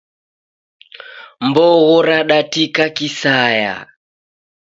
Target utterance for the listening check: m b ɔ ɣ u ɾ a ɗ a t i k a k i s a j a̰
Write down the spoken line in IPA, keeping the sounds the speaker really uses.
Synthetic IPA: m b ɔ ɣ ɔ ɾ a ɗ a t i k a k i s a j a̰